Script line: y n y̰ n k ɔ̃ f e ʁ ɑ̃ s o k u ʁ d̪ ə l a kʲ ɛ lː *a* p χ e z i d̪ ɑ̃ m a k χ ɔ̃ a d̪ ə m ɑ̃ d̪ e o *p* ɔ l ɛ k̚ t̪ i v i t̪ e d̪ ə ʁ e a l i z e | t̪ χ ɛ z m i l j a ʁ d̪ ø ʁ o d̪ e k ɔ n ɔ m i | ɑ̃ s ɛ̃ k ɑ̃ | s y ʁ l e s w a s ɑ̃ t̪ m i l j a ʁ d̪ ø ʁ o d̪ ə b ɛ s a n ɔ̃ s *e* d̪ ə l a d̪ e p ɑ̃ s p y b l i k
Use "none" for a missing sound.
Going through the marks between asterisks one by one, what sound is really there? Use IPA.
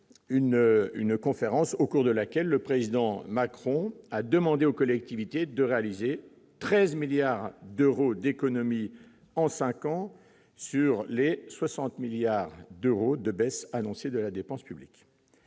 ə, k, e

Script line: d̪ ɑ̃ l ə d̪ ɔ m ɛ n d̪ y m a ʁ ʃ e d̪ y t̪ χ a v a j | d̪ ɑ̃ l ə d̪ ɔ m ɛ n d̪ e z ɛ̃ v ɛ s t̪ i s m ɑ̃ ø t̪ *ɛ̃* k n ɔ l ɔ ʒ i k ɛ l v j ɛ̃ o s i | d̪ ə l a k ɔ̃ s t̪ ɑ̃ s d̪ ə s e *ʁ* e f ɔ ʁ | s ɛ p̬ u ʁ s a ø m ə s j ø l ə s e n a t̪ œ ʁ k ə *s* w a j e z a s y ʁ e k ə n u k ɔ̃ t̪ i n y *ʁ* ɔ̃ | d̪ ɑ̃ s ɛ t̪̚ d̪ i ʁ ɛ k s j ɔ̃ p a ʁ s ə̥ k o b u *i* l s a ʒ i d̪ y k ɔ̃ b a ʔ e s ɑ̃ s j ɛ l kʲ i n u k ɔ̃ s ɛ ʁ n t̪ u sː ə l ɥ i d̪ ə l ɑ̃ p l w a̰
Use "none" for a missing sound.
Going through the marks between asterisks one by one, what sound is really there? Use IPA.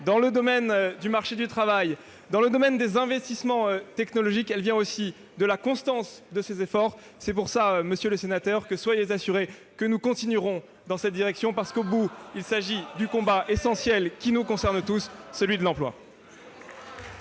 ɛ, z, s, ʁ, i

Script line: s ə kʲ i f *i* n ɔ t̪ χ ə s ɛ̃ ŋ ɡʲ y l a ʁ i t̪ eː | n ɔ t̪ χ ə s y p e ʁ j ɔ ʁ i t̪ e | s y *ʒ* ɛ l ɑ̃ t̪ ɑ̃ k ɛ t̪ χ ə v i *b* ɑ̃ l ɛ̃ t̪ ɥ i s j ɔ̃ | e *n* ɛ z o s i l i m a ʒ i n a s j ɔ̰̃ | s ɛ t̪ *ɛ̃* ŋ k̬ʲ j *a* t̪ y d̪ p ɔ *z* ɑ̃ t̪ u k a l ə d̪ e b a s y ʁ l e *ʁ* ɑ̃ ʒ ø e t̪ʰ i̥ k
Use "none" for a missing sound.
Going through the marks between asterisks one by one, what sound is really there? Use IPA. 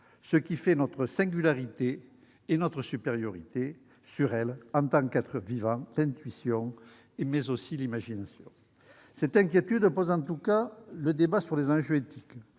ɛ, ʁ, v, m, ɛ̃, e, z, z

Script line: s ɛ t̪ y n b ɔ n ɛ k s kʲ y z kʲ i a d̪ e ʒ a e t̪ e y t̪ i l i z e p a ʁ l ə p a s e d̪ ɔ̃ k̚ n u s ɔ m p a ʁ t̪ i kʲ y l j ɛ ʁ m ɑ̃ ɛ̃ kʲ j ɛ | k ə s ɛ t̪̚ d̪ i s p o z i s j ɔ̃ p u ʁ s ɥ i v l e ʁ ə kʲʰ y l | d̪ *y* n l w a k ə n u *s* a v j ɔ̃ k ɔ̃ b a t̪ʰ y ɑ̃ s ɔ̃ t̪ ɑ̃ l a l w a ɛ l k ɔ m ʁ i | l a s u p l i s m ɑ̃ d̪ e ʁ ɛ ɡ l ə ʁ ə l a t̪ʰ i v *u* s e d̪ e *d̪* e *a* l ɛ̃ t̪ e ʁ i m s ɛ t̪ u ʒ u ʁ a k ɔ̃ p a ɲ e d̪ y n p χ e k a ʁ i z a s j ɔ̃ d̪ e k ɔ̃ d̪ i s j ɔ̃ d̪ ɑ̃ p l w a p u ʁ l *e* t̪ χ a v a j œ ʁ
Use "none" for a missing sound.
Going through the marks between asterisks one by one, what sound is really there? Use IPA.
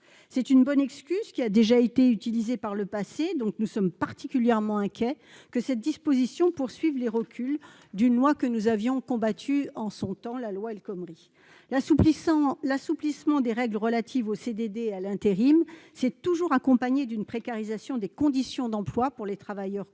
y, z, o, d̪, a, e

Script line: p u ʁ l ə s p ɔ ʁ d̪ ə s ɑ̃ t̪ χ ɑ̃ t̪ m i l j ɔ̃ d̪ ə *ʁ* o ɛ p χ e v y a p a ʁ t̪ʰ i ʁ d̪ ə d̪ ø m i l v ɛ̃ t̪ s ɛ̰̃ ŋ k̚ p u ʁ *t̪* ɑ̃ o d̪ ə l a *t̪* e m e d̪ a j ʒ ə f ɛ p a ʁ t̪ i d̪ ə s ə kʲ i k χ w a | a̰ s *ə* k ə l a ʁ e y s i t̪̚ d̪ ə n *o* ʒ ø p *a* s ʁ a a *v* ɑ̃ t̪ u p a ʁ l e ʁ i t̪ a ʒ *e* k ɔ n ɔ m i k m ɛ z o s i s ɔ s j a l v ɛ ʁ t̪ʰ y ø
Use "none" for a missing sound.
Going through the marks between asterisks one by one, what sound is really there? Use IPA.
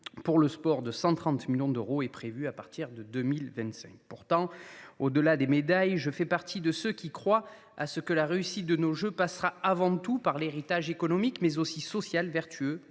ʁ, t̪, d̪, ə, o, a, v, e

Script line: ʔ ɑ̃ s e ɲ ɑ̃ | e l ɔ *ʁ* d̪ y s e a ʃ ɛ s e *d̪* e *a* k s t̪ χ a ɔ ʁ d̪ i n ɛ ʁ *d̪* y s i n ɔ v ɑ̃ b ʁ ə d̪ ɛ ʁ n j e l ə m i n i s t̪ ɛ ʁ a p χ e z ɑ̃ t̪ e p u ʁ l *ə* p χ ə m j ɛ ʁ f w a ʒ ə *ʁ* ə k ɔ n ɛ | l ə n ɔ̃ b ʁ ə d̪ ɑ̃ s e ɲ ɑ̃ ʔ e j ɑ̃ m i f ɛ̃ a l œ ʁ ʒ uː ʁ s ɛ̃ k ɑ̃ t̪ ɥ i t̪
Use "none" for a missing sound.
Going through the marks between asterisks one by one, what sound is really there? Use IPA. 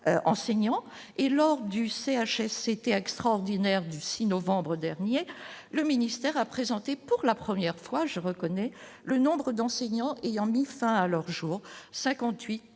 ʁ, t̪, ɛ, d̪, a, ʁ

